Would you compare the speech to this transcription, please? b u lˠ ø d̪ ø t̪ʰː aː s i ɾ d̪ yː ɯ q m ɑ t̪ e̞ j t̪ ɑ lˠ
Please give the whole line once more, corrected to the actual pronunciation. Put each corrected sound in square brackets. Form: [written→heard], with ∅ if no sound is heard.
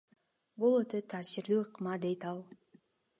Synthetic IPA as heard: b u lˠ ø [d̪→t̪] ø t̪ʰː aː s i ɾ d̪ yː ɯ q m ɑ [t̪→d̪] e̞ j t̪ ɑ lˠ